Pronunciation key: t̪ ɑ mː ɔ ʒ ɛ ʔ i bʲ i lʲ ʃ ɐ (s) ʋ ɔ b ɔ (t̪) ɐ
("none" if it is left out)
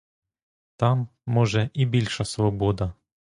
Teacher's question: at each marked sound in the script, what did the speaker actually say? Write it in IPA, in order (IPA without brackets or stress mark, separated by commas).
s, d̪